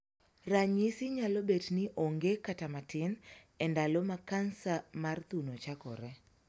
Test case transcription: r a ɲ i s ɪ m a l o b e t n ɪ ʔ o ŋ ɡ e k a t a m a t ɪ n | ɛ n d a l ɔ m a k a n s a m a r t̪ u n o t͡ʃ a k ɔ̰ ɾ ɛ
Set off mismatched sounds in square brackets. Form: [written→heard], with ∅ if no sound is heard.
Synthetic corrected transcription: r a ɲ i s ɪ [m→ɲ] a l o b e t n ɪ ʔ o ŋ ɡ e k a t a m a t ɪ n | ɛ n d a l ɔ m a k a n s a m a r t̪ u n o t͡ʃ a k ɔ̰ ɾ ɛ